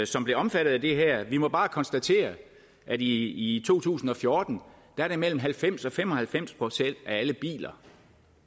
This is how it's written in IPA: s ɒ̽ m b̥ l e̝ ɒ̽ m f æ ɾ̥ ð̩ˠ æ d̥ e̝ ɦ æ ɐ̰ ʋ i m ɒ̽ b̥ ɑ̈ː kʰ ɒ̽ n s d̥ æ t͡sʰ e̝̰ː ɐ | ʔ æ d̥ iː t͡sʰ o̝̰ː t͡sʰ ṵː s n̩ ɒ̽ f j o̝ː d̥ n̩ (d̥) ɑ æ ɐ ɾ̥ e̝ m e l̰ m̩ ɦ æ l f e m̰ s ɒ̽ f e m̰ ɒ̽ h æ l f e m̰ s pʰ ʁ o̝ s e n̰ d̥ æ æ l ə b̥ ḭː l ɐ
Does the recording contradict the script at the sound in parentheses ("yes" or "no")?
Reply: no